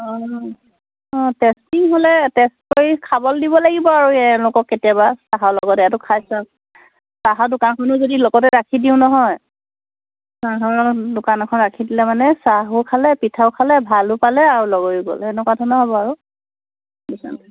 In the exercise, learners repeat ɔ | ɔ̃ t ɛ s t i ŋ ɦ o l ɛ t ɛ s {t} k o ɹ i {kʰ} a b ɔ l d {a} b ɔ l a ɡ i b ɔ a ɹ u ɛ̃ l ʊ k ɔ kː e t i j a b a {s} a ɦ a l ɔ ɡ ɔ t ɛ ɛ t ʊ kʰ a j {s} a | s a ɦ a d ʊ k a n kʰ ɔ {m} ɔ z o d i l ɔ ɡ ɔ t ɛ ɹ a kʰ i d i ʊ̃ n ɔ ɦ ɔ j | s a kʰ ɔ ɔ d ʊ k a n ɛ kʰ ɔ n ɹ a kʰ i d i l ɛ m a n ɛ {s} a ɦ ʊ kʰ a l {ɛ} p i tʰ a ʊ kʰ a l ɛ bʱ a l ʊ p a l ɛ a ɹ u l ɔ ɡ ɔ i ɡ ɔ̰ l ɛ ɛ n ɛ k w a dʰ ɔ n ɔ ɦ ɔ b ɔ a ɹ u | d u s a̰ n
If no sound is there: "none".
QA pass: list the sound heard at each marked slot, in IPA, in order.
t, kʰ, i, s, s, n, s, ɛ

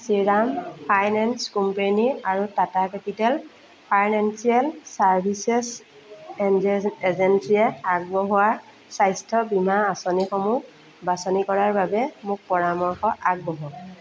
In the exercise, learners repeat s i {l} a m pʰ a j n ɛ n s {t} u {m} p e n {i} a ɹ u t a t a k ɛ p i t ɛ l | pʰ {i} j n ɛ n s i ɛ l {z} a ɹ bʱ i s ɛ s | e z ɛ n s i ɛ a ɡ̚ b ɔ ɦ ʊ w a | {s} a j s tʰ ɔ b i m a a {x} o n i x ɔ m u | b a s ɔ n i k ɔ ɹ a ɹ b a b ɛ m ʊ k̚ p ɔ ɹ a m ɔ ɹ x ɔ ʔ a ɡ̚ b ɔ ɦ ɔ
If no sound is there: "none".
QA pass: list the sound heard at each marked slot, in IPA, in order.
ɹ, k, m, i, a, s, s, s

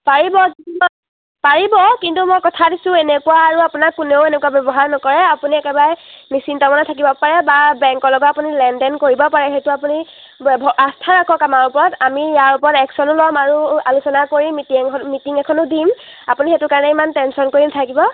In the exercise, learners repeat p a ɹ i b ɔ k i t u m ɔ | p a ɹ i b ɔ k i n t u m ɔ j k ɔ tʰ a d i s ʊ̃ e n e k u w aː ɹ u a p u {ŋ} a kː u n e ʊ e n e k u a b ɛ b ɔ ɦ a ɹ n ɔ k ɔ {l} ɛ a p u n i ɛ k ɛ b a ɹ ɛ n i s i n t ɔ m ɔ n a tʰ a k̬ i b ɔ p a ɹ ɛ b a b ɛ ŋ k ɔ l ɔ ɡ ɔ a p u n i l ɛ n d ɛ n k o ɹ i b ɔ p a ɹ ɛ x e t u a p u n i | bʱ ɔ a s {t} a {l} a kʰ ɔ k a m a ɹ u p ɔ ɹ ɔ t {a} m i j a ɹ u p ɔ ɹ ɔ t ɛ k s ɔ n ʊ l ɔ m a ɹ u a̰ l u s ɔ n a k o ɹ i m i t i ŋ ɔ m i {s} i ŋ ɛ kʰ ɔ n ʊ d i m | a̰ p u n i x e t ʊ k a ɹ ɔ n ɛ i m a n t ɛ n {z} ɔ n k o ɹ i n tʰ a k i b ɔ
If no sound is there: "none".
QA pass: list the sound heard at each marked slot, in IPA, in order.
n, ɹ, tʰ, ɹ, a, t, s

